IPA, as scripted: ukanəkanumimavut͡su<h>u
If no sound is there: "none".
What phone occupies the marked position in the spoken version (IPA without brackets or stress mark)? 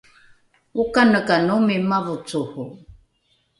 h